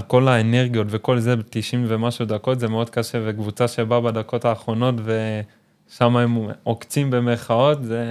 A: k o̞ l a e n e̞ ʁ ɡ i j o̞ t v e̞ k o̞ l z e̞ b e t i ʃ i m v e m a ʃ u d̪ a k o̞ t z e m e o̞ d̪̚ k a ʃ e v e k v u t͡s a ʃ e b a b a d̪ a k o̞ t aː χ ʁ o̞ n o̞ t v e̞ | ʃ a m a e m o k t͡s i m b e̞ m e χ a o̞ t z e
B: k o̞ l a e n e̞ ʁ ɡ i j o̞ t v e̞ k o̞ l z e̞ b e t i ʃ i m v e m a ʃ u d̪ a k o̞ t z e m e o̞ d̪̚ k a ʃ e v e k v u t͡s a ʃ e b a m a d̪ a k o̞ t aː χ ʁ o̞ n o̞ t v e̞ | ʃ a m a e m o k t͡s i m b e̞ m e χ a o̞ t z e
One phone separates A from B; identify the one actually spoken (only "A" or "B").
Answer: A